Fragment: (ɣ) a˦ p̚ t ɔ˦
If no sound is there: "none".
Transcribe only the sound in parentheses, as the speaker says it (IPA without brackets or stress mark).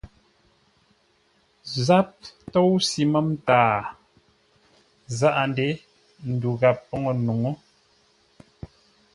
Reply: z